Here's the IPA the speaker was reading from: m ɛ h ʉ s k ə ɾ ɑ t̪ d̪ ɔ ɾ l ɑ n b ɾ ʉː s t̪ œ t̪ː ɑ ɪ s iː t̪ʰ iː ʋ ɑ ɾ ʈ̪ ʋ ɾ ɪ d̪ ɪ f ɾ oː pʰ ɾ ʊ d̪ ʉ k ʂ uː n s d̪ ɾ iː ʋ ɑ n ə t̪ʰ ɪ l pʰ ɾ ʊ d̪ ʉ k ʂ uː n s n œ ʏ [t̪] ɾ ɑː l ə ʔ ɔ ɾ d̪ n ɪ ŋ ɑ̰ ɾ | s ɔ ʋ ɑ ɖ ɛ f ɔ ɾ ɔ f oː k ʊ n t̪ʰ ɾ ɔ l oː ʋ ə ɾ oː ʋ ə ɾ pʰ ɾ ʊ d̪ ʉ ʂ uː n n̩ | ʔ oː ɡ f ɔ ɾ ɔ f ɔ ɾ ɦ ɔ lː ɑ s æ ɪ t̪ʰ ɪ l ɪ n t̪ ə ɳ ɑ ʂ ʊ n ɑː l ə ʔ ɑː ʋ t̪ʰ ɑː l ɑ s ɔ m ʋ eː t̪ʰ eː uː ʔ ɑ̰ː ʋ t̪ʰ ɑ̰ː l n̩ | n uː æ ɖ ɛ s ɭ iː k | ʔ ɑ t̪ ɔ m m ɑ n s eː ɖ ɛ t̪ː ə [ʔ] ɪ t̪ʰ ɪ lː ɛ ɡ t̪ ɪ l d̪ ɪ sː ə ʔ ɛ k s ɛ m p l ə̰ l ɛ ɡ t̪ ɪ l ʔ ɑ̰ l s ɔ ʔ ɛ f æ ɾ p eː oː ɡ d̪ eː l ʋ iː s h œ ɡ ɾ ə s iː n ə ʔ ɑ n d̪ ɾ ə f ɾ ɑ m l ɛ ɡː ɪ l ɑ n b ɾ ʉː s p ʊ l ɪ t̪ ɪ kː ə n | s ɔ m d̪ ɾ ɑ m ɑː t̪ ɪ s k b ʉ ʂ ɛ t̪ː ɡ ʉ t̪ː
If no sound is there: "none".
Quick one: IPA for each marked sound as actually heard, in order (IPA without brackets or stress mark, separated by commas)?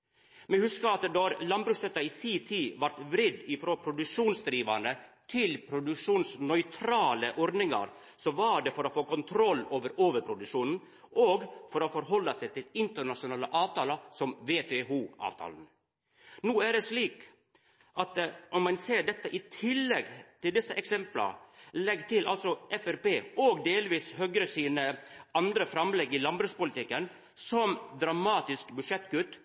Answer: t̪ʰ, ʔ